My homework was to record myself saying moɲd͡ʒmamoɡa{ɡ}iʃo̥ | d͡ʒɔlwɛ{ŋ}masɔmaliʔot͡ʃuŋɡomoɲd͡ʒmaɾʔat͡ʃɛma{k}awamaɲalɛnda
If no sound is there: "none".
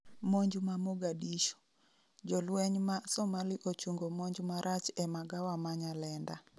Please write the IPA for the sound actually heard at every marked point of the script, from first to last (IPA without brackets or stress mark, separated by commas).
d, ɲ, ɡ